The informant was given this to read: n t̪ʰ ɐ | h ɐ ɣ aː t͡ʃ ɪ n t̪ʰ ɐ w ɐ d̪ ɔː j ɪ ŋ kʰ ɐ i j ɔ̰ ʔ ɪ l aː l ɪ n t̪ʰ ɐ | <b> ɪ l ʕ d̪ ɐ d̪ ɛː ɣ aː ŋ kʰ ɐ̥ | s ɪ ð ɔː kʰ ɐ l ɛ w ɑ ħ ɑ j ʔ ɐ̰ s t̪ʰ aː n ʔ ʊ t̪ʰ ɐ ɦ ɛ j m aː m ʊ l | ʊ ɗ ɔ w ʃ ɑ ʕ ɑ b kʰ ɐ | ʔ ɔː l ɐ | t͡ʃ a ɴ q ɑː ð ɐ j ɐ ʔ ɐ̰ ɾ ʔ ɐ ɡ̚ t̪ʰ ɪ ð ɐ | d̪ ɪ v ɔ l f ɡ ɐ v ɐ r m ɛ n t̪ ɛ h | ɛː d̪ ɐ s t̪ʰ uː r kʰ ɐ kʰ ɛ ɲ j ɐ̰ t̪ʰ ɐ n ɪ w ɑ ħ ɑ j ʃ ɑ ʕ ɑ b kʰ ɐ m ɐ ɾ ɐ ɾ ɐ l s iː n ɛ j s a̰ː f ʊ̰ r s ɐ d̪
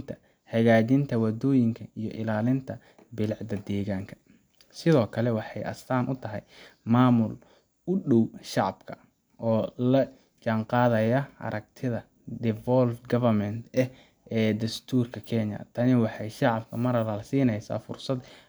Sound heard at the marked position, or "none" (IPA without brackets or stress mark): b